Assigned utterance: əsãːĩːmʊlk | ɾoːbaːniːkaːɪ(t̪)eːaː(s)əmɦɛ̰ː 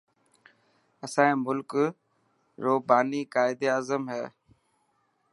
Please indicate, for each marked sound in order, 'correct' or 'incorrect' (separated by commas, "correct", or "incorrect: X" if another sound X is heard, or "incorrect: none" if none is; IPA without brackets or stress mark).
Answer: incorrect: d̪, incorrect: z